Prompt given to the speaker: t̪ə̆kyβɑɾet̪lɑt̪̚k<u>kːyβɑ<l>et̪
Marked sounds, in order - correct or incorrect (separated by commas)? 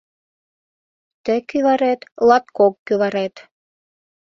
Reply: incorrect, incorrect